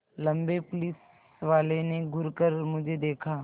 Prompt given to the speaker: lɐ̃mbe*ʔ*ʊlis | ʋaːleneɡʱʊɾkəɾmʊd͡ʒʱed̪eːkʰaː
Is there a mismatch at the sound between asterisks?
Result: yes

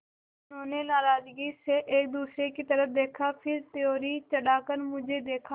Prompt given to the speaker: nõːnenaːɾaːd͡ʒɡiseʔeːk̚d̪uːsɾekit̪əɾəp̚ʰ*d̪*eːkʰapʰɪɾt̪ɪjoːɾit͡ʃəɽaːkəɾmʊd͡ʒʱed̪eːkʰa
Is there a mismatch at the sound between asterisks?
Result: no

